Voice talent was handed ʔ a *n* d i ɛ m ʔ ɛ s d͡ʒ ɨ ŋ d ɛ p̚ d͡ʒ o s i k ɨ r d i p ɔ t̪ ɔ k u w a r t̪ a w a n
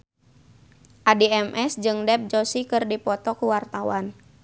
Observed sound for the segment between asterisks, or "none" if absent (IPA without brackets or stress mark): none